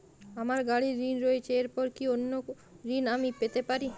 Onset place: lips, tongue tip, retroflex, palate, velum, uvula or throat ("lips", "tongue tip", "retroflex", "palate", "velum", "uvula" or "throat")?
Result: lips